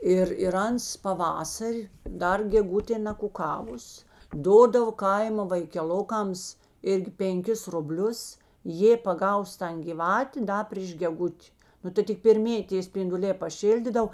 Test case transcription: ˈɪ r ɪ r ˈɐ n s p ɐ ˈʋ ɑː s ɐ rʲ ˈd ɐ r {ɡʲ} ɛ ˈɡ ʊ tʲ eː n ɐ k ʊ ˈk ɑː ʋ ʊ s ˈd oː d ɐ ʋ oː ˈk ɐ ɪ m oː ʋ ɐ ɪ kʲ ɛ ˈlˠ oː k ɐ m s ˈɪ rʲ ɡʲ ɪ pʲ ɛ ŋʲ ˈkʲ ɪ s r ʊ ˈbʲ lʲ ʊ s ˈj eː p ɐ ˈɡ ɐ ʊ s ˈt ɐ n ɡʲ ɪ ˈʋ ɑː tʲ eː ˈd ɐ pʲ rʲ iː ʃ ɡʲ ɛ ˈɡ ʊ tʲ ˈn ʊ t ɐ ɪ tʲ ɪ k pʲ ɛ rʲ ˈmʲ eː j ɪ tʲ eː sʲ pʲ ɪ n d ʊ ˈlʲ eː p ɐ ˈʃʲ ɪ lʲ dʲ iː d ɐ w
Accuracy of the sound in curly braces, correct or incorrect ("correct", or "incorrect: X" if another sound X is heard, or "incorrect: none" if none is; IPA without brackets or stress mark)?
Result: correct